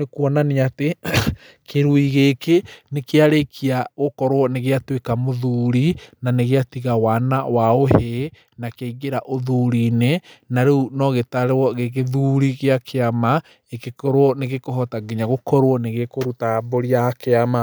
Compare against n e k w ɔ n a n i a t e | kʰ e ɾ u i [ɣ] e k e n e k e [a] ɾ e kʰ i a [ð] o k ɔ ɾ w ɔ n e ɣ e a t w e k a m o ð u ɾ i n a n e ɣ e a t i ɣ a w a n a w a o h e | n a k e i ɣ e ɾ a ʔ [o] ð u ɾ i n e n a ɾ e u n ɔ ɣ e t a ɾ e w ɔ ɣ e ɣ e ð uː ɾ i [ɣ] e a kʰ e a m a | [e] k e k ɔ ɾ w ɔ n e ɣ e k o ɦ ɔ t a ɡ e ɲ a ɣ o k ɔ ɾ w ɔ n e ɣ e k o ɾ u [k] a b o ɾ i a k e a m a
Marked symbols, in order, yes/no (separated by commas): yes, yes, no, yes, yes, yes, no